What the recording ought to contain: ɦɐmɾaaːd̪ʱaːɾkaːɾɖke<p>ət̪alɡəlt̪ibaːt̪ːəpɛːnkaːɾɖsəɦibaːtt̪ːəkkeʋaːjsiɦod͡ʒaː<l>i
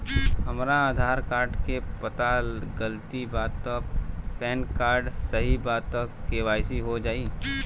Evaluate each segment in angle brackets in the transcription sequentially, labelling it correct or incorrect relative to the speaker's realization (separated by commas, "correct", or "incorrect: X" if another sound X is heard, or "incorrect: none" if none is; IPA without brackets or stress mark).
correct, incorrect: none